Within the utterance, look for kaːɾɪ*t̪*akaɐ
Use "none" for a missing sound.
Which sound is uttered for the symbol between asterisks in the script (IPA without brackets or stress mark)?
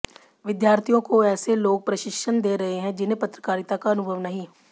t̪